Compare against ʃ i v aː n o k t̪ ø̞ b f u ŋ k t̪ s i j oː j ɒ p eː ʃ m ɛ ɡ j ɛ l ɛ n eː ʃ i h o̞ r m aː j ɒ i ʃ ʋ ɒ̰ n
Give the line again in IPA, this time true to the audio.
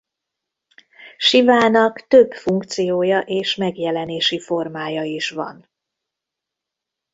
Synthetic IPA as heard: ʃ i v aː n ɒ k t̪ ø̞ b f u ŋ k t̪ s i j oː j ɒ ʔ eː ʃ m ɛ ɡ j ɛ l ɛ n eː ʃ i f o̞ r m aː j ɒ i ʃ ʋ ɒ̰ n